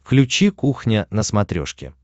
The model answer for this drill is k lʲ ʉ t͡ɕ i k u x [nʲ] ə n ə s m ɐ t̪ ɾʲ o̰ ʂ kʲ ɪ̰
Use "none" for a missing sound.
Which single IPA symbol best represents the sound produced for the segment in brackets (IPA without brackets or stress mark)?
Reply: nʲ